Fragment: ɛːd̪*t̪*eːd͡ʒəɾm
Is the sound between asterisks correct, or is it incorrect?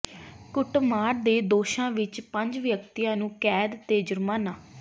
correct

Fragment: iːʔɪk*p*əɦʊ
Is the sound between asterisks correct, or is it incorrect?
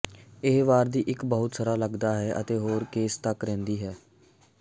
incorrect: b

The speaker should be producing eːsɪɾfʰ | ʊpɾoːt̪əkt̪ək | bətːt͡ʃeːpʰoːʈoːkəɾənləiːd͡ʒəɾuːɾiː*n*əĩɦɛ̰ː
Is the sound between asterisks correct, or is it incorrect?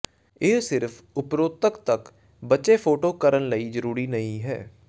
correct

